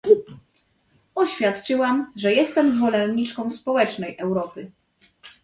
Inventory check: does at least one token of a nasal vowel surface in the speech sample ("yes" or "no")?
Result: yes